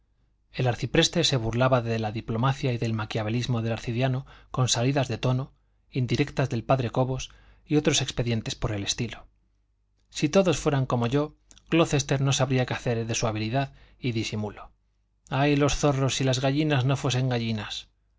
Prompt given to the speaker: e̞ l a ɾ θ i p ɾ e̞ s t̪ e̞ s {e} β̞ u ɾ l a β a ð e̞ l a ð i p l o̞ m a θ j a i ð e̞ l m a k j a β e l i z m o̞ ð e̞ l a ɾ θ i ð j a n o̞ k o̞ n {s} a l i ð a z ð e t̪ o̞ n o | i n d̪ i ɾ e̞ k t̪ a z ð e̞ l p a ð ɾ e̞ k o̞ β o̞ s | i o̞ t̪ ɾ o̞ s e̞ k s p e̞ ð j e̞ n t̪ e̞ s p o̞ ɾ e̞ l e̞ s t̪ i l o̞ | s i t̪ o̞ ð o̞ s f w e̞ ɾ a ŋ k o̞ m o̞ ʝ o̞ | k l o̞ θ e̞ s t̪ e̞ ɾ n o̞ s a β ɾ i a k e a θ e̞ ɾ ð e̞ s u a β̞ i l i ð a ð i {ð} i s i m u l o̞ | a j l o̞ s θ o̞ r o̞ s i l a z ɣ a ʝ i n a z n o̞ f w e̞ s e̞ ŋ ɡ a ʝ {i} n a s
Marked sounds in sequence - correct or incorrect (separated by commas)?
correct, correct, correct, correct